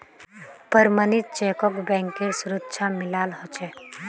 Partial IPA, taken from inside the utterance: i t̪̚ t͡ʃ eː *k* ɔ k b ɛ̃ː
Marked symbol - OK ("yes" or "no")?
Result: yes